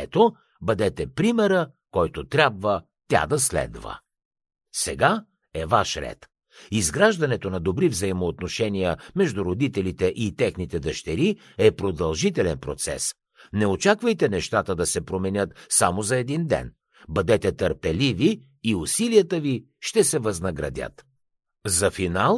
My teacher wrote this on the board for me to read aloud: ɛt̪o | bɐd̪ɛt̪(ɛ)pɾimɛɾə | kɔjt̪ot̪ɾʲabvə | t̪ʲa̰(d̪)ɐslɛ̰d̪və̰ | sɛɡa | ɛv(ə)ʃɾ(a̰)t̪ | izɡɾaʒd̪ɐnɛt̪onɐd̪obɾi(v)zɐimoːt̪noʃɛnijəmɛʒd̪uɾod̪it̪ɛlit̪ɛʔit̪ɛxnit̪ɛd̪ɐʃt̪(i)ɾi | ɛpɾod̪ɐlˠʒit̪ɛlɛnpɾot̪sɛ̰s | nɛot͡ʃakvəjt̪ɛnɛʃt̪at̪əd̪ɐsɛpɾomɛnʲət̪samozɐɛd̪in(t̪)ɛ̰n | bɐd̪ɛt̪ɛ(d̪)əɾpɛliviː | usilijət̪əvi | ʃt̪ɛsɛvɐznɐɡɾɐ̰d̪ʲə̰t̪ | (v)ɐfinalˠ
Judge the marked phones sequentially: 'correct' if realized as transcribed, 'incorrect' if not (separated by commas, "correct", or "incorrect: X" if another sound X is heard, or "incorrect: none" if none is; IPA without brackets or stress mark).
correct, correct, incorrect: a, incorrect: ɛ̰, correct, incorrect: ɛ, incorrect: d̪, incorrect: t̪, incorrect: z